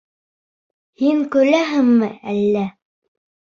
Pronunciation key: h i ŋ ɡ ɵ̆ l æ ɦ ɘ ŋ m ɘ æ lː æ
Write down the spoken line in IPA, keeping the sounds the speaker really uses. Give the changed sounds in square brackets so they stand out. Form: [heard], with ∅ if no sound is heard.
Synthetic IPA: h i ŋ [k] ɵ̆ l æ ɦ ɘ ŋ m ɘ æ lː æ